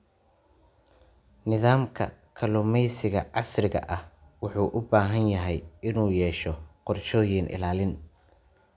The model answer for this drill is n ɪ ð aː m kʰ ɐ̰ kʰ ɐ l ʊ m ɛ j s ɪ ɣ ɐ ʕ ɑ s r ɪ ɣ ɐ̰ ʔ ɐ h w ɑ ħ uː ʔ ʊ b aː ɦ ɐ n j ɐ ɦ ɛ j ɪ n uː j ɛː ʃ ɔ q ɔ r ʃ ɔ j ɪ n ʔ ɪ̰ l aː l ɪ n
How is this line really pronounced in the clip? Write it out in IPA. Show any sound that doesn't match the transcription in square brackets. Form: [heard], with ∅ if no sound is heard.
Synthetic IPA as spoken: n ɪ ð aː m kʰ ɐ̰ kʰ ɐ l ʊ m ɛ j s ɪ ɣ ɐ ʕ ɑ s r ɪ ɣ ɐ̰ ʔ ɐ h w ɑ ħ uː ʔ ʊ b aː ɦ ɐ n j ɐ ɦ ɛ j ɪ n uː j ɛː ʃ ɔ q ɔ r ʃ [ɔː] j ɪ n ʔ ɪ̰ l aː l ɪ n